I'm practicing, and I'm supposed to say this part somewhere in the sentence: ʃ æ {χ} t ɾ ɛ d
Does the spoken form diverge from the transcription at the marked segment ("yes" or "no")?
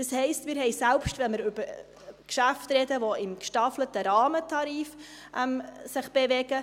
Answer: yes